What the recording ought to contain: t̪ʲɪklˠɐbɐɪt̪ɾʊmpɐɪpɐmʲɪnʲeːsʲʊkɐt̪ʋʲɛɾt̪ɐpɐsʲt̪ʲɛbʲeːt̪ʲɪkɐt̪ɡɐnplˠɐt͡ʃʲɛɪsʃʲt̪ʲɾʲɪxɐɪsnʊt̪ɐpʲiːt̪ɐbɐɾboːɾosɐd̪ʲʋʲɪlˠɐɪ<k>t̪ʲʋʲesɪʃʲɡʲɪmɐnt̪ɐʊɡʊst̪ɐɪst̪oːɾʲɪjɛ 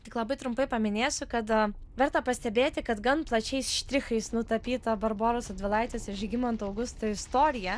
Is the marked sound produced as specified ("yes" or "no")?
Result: no